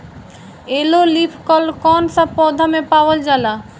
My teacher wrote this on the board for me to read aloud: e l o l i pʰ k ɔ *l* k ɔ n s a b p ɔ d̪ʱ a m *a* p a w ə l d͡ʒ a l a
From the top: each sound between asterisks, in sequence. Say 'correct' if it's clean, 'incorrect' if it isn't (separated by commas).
correct, incorrect